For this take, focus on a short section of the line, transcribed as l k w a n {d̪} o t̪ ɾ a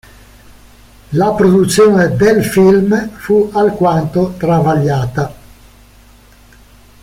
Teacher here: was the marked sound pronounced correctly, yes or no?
no